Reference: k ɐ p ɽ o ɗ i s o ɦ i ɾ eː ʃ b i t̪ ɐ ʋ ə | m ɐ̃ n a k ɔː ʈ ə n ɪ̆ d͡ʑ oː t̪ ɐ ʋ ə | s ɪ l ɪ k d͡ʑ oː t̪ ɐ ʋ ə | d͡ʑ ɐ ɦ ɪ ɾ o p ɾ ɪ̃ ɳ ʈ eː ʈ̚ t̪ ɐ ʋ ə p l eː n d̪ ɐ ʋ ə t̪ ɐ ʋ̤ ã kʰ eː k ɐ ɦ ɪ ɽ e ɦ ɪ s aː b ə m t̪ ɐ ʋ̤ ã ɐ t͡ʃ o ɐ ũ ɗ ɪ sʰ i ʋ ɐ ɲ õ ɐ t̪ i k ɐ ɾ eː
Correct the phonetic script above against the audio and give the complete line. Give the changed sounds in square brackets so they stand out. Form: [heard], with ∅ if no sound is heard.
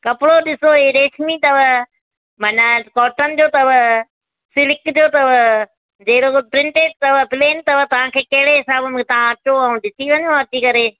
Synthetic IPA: k ɐ p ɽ o ɗ [ɪ] s o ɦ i ɾ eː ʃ [m] i t̪ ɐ ʋ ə | m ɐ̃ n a k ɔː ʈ ə n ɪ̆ d͡ʑ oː t̪ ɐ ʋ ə | s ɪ l ɪ k d͡ʑ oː t̪ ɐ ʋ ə | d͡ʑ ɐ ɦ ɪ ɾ o p ɾ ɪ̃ ɳ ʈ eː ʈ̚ t̪ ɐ ʋ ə p l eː n [t̪] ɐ ʋ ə t̪ ɐ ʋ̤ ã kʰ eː k ɐ ɦ ɪ ɽ e ɦ ɪ s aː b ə m t̪ ɐ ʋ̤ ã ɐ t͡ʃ o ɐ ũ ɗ ɪ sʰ i ʋ ɐ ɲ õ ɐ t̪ i k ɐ ɾ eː

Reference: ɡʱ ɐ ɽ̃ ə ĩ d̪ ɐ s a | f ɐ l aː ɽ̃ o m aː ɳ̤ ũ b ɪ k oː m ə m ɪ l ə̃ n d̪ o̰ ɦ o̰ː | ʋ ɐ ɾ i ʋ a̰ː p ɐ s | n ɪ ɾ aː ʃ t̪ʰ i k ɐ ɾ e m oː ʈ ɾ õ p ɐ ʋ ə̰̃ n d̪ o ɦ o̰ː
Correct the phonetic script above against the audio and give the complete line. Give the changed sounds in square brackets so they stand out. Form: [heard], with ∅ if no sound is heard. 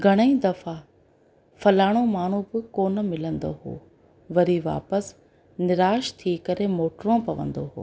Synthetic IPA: ɡʱ ɐ ɽ̃ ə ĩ d̪ ɐ [f] a | f ɐ l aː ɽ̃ o m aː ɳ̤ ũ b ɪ k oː [n] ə m ɪ l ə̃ n d̪ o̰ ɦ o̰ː | ʋ ɐ ɾ i ʋ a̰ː p [ə] s | n ɪ ɾ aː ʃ t̪ʰ i k ɐ ɾ e m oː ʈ ɾ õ p ɐ ʋ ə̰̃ n d̪ o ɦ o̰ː

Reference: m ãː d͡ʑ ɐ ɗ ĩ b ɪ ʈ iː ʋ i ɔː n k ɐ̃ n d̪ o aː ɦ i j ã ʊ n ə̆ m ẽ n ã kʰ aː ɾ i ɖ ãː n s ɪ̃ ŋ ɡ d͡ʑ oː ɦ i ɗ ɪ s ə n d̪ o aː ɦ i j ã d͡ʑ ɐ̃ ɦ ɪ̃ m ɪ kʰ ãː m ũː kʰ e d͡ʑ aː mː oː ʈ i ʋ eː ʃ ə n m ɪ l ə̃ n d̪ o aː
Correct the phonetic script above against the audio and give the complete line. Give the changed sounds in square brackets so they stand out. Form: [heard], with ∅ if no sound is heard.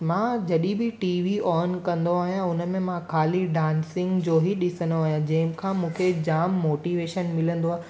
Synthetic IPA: m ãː d͡ʑ ɐ ɗ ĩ b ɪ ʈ iː ʋ i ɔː n k ɐ̃ n d̪ o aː ɦ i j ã ʊ n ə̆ m ẽ [m] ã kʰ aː [l] i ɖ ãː n s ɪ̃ ŋ ɡ d͡ʑ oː ɦ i ɗ ɪ s ə n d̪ o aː ɦ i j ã d͡ʑ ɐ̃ ɦ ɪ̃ m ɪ kʰ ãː m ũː kʰ e d͡ʑ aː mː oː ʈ i ʋ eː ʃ ə n m ɪ l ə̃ n d̪ o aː

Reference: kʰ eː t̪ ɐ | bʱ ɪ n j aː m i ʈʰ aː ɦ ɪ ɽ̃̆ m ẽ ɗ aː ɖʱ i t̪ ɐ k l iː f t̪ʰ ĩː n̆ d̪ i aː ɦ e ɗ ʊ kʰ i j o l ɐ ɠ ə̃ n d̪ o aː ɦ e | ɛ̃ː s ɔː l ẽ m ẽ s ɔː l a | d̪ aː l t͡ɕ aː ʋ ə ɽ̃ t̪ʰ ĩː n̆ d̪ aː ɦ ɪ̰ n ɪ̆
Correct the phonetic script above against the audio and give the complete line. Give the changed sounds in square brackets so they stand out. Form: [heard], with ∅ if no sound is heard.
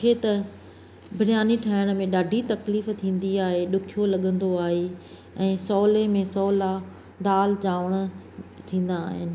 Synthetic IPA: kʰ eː t̪ ɐ | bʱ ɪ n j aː [n] i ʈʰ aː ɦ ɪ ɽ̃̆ m ẽ ɗ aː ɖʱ i t̪ ɐ k l iː f t̪ʰ ĩː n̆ d̪ i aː ɦ e ɗ ʊ kʰ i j o l ɐ ɠ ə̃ n d̪ o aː ɦ e | ɛ̃ː s ɔː l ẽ m ẽ s ɔː l a | d̪ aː l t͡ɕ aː ʋ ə ɽ̃ t̪ʰ ĩː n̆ d̪ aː ɦ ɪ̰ n ɪ̆

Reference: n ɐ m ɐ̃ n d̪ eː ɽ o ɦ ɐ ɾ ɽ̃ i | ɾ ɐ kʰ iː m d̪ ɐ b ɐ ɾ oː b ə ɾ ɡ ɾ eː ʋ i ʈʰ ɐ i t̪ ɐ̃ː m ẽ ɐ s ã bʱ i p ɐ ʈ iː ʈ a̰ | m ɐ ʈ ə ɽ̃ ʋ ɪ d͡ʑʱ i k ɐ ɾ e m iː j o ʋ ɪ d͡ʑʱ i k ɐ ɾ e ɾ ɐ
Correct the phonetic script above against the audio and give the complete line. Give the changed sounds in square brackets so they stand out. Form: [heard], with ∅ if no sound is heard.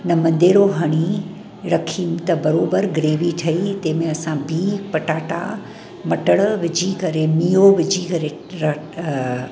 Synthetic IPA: n ɐ m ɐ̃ n d̪ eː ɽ o ɦ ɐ [∅] ɽ̃ i | ɾ ɐ kʰ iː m [t̪] ɐ b ɐ ɾ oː b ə ɾ ɡ ɾ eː ʋ i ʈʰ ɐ i t̪ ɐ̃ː m ẽ ɐ s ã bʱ i p ɐ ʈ [aː] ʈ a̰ | m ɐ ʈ ə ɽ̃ ʋ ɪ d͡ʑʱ i k ɐ ɾ e m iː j o ʋ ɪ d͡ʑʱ i k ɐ ɾ e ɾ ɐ

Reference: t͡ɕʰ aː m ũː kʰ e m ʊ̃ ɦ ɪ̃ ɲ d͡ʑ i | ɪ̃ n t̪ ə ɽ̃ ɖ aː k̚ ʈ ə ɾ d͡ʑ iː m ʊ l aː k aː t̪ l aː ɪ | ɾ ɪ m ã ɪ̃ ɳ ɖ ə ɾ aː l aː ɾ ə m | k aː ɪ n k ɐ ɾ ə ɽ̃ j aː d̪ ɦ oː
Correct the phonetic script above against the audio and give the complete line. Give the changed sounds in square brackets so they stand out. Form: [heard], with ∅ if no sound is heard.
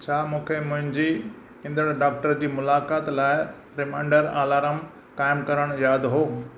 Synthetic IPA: t͡ɕʰ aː m ũː kʰ e m ʊ̃ ɦ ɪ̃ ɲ d͡ʑ i | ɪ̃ n [d̪] ə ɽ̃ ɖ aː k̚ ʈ ə ɾ d͡ʑ iː m ʊ l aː k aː t̪ l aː ɪ | ɾ ɪ m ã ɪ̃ ɳ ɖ ə ɾ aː l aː ɾ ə m | k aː ɪ [m] k ɐ ɾ ə ɽ̃ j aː d̪ ɦ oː

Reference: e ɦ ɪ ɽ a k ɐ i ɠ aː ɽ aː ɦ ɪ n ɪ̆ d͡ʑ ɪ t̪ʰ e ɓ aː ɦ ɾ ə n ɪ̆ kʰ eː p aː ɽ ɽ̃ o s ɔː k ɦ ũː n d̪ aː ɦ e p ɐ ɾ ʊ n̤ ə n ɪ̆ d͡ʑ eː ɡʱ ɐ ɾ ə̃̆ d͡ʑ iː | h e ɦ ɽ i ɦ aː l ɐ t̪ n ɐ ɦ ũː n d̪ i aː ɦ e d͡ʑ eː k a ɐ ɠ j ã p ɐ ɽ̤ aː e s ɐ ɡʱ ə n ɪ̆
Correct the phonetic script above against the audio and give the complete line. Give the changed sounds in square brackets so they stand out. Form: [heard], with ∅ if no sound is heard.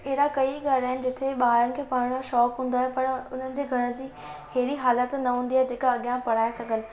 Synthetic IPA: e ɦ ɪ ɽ a k ɐ i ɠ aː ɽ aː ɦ ɪ n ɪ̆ d͡ʑ ɪ t̪ʰ e ɓ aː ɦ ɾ ə n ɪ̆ kʰ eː p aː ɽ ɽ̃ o [ʃ] ɔː k ɦ ũː n d̪ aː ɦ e p ɐ ɾ ʊ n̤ ə n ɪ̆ d͡ʑ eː ɡʱ ɐ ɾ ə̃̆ d͡ʑ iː | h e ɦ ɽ i ɦ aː l [ə] t̪ n ɐ ɦ ũː n d̪ i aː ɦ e d͡ʑ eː k a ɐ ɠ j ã p ɐ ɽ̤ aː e s ɐ ɡʱ ə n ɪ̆

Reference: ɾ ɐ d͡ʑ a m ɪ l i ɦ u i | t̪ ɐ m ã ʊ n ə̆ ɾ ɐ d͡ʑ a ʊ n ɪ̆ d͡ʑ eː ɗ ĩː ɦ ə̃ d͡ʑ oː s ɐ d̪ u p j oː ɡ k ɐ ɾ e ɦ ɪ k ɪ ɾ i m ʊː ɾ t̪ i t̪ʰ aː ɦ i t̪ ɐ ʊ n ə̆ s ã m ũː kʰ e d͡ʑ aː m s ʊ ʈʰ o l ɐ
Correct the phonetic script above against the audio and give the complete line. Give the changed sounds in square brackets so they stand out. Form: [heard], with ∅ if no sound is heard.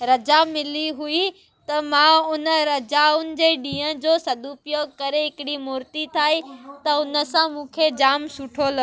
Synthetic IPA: ɾ ɐ d͡ʑ a m ɪ l i ɦ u i | t̪ ɐ m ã ʊ n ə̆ ɾ ɐ d͡ʑ a ʊ n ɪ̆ d͡ʑ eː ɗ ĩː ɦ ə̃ d͡ʑ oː s ɐ d̪ u p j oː ɡ k ɐ ɾ e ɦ ɪ k ɪ [ɽ] i m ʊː ɾ t̪ i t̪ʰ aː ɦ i t̪ ɐ ʊ n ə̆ s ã m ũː kʰ e d͡ʑ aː m s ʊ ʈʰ o l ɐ

